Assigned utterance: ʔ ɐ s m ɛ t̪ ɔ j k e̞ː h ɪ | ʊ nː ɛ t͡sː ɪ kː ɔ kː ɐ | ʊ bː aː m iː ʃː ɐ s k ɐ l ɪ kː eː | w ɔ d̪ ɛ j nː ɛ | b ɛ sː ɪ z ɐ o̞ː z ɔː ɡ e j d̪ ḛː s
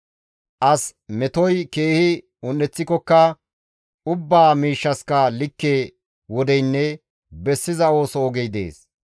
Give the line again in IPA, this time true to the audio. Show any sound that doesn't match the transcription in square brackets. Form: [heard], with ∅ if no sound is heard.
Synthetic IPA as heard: ʔ ɐ s m ɛ t̪ ɔ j k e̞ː h ɪ | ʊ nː ɛ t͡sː ɪ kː ɔ kː ɐ | ʊ bː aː m iː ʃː ɐ s k ɐ l ɪ kː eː | w ɔ d̪ ɛ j nː ɛ | b ɛ sː ɪ z ɐ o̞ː [s] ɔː ɡ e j d̪ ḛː s